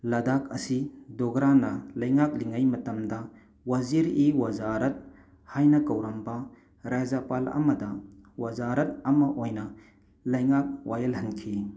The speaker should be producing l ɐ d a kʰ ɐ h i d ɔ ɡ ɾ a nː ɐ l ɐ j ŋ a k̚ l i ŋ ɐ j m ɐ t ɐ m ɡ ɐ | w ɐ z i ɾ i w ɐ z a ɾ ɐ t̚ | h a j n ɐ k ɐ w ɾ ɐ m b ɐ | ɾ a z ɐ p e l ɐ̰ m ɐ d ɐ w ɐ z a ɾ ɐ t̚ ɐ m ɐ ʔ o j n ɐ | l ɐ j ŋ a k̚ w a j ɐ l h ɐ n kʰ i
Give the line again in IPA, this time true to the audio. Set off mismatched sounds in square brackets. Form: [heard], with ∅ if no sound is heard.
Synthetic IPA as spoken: l ɐ d a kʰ ɐ [s] i d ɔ ɡ ɾ a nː ɐ l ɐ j ŋ a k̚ l i ŋ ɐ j m ɐ t ɐ m [d] ɐ | w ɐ z i ɾ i w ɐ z a ɾ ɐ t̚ | h a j n ɐ k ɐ w ɾ ɐ m b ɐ | ɾ a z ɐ p [a] l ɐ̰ m ɐ d ɐ w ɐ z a ɾ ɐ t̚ ɐ m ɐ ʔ o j n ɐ | l ɐ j ŋ a k̚ w a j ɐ l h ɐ n kʰ i

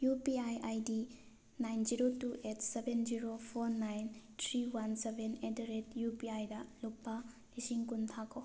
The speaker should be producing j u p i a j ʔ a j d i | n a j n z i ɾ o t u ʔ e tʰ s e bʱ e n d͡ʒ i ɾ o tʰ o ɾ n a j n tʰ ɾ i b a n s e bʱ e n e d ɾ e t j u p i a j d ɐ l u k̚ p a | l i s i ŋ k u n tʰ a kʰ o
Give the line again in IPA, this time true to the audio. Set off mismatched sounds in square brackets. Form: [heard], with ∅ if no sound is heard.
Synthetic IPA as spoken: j u p i a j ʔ a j d i | n a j n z i ɾ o t u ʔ e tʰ s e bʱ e n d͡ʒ i ɾ o [pʰ] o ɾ n a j n tʰ ɾ i [w] a n s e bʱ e n e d ɾ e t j u p i a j d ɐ l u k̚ p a | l i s i ŋ k u n tʰ a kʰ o

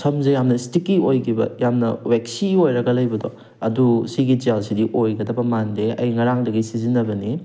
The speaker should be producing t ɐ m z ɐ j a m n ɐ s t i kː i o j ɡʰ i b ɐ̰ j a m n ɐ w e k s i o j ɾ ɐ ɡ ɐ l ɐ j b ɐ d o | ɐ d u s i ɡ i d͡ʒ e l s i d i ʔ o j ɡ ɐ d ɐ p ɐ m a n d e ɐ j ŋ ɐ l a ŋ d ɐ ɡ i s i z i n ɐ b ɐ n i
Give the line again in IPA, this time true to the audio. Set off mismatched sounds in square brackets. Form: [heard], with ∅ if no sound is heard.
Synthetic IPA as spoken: [s] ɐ m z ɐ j a m n ɐ s t i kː i o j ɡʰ i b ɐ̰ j a m n ɐ w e k s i o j ɾ ɐ ɡ ɐ l ɐ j b ɐ d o | ɐ d u s i ɡ i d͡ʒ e l s i d i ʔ o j ɡ ɐ d ɐ p ɐ m a n d e ɐ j ŋ ɐ [ɾ] a ŋ d ɐ ɡ i s i z i n ɐ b ɐ n i

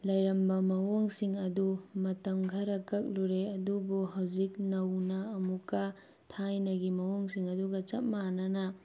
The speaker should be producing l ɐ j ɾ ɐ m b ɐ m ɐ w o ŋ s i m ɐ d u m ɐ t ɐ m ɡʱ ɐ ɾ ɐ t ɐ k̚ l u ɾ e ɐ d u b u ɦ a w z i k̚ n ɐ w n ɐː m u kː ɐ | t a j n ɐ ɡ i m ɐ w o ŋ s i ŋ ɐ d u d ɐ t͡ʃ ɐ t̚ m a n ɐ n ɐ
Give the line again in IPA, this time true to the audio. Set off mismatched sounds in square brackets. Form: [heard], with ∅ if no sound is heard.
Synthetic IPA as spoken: l ɐ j ɾ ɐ m b ɐ m ɐ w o ŋ s i [ŋ] ɐ d u m ɐ t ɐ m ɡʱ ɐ ɾ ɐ [k] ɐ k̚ l u ɾ e ɐ d u b u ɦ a w z i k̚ n ɐ w n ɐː m u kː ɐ | [tʰ] a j n ɐ ɡ i m ɐ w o ŋ s i ŋ ɐ d u [ɡ] ɐ t͡ʃ ɐ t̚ m a n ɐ n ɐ

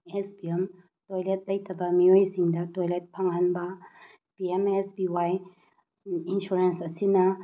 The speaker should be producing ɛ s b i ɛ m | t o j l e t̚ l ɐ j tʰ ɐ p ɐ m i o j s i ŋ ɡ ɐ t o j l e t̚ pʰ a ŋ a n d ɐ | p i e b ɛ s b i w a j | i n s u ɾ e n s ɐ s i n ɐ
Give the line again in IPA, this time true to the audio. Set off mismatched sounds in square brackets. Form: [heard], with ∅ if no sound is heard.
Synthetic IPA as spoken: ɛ s b i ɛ m | t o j l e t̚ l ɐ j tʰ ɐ [b] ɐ m i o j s i ŋ [d] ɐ t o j l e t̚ pʰ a ŋ a n [b] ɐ | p i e [m] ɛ s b i w a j | i n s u ɾ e n s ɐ s i n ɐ

